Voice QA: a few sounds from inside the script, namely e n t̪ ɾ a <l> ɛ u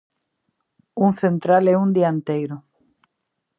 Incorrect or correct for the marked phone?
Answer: correct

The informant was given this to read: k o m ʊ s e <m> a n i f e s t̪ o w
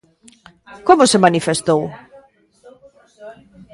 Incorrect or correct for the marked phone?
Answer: correct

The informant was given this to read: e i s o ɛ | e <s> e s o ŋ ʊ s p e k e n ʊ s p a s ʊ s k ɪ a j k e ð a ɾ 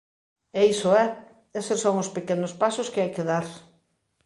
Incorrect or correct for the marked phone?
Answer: correct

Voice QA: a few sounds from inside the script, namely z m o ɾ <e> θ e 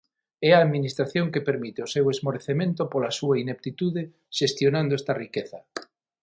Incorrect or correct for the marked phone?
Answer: correct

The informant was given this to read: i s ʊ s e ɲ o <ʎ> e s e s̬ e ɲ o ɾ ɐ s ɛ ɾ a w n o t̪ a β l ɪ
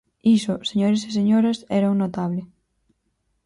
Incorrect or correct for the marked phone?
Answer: incorrect: ɾ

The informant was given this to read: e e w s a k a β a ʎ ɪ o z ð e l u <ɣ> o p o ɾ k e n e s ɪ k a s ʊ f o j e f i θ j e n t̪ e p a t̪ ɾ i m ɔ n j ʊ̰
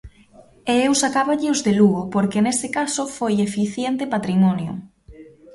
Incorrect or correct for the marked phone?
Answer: correct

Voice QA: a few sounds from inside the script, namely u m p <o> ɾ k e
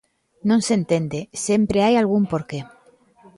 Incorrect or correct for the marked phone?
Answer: correct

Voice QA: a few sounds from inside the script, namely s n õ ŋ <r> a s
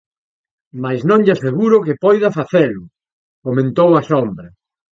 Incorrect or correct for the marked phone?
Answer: incorrect: ʎ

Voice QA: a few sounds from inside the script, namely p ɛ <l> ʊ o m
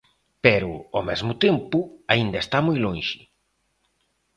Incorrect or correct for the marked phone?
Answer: incorrect: ɾ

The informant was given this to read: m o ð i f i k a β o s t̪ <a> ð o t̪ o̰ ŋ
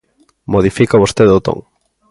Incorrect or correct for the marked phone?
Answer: incorrect: e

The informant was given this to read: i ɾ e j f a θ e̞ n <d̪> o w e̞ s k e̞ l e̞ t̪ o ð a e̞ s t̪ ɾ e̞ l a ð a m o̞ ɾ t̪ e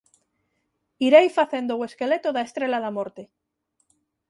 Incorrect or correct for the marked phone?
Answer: correct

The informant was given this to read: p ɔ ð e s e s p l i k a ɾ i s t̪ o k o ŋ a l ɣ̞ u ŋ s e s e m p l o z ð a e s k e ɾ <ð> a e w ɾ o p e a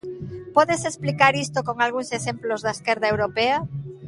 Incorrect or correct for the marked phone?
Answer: correct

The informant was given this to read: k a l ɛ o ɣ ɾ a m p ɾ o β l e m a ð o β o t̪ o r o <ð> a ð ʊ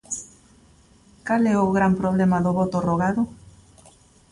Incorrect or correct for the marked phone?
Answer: incorrect: ɣ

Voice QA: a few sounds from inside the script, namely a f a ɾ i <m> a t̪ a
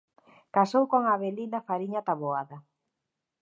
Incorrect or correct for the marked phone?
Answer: incorrect: ɲ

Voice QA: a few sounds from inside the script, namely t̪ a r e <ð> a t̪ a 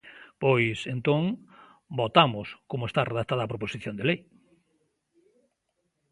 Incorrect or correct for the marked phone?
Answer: correct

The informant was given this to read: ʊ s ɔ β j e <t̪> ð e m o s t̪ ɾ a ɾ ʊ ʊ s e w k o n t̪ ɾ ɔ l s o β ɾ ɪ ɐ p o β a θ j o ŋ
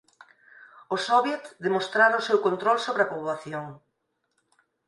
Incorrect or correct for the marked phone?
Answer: correct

